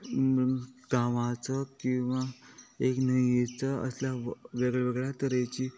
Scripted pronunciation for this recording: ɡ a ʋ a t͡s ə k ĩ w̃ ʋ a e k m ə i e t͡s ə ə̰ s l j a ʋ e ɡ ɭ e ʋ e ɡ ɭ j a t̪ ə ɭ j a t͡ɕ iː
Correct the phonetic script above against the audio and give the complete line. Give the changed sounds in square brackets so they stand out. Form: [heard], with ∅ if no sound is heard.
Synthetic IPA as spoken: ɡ a ʋ a t͡s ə k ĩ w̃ ʋ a e k [n] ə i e t͡s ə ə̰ s l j a ʋ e ɡ ɭ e ʋ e ɡ ɭ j a t̪ ə [ɾ] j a t͡ɕ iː